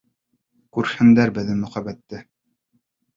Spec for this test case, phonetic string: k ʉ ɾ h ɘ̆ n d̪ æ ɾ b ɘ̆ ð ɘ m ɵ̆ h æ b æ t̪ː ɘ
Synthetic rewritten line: k ʉ ɾ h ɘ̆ n d̪ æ ɾ b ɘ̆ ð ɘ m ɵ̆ χ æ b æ t̪ː ɘ